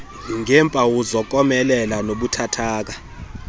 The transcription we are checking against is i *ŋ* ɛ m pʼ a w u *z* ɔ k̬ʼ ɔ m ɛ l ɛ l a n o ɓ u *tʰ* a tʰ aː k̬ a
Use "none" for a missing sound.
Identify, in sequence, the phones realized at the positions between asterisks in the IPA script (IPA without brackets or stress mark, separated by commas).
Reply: ŋ, z, tʰ